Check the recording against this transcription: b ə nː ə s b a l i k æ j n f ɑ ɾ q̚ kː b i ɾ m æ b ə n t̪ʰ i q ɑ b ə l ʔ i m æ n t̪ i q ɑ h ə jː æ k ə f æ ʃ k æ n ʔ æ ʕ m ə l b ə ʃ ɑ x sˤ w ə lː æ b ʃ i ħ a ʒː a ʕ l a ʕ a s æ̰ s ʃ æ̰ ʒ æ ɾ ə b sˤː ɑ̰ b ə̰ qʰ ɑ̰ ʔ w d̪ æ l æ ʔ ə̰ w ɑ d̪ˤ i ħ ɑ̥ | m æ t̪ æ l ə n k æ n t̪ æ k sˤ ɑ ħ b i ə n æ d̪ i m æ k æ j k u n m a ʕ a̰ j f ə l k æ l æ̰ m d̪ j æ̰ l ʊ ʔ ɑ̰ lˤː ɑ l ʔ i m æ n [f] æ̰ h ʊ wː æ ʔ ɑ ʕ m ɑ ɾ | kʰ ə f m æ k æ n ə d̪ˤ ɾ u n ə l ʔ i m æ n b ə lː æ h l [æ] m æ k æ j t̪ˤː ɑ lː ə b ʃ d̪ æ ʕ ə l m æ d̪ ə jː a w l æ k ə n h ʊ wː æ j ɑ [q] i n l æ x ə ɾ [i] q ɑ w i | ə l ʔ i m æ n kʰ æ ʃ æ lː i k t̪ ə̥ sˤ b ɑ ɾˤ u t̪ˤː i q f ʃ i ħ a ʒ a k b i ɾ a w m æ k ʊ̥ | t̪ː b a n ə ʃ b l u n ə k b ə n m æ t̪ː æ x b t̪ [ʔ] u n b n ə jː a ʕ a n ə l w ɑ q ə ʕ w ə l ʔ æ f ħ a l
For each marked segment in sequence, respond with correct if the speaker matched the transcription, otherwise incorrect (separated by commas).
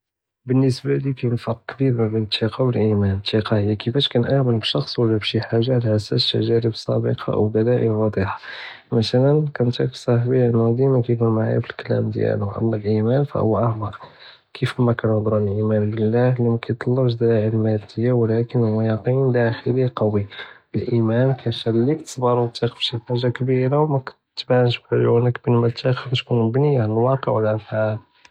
correct, incorrect, correct, correct, incorrect